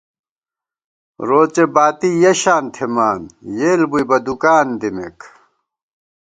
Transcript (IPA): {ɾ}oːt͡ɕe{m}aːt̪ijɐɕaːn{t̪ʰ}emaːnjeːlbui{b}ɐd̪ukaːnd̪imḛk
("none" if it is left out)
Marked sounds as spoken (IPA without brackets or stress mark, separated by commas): ɾ, b, t̪ʰ, b